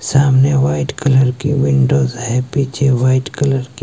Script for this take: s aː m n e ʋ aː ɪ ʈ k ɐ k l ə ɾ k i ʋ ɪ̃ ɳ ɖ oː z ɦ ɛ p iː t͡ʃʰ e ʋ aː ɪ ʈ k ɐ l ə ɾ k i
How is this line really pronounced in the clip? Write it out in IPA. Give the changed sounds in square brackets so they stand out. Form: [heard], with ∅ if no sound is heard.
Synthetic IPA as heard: s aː m n e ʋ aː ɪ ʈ k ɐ [∅] l ə ɾ k i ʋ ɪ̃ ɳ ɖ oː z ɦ ɛ p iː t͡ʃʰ e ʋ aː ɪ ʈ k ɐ l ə ɾ k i